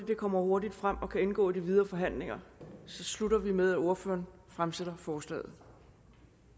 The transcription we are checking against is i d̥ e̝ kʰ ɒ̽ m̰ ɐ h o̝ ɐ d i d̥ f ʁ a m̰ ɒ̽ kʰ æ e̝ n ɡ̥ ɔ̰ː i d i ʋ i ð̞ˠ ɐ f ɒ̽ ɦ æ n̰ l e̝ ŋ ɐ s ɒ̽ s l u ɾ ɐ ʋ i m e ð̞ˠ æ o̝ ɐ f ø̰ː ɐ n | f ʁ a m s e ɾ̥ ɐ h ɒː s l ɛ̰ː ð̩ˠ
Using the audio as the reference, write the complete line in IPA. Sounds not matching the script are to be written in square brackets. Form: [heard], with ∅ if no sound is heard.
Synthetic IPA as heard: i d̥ e̝ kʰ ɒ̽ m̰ ɐ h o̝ ɐ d i d̥ f ʁ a m̰ ɒ̽ kʰ æ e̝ n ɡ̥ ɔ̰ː i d i ʋ i ð̞ˠ ɐ f ɒ̽ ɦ æ n̰ l e̝ ŋ ɐ s ɒ̽ s l u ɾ ɐ ʋ i m e ð̞ˠ æ o̝ ɐ f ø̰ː ɐ n | f ʁ a m s e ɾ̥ ɐ [f] ɒː s l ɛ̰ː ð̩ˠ